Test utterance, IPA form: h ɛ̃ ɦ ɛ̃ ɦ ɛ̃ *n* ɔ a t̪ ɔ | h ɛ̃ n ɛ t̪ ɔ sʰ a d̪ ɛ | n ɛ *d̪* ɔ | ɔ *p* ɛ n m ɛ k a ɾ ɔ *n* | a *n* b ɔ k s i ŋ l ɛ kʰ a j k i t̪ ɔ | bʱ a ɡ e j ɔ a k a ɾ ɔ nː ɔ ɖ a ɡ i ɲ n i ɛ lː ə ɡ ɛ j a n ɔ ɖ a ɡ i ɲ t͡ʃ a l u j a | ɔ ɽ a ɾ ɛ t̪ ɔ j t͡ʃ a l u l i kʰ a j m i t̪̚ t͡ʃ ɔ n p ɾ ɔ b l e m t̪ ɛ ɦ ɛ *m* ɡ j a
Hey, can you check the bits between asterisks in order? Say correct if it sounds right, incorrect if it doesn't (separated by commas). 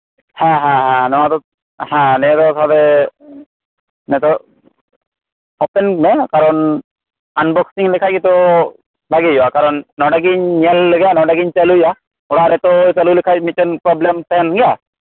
correct, incorrect, correct, correct, correct, incorrect